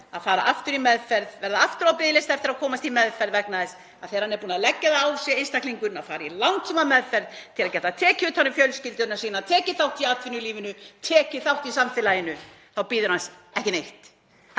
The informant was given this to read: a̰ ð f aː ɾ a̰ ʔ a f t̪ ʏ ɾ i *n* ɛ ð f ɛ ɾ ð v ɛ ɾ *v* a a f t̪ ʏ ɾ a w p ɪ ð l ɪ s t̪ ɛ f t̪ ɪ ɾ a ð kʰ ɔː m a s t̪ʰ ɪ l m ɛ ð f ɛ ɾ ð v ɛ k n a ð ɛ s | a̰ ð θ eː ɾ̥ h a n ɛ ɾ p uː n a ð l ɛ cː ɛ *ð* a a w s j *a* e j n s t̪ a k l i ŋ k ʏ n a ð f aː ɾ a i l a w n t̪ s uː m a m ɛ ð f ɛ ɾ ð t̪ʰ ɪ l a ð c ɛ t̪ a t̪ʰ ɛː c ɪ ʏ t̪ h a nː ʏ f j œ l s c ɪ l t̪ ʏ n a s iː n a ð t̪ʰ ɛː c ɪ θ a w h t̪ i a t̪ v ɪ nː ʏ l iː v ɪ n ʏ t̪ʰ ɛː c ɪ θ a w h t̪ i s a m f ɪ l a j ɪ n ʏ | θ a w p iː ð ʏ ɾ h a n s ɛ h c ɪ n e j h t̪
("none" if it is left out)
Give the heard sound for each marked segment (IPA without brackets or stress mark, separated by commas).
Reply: m, ð, ð, ɛ